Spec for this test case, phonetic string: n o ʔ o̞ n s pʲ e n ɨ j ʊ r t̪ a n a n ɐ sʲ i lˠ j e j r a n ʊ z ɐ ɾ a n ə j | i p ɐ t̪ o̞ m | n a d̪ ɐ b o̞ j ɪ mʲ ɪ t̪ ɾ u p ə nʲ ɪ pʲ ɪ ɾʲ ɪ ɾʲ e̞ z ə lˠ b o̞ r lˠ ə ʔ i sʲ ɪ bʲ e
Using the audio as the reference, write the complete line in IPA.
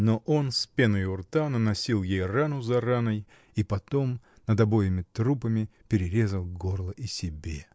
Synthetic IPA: n o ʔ o̞ n s pʲ e n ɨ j ʊ r t̪ a n ə n ɐ sʲ i lˠ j e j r a n ʊ z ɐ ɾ a n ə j | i p ɐ t̪ o̞ m | n ə d̪ ɐ b o̞ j ɪ mʲ ɪ t̪ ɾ u p ə mʲ ɪ pʲ ɪ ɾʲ ɪ ɾʲ e̞ z ə lˠ ɡ o̞ r lˠ ə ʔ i sʲ ɪ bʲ e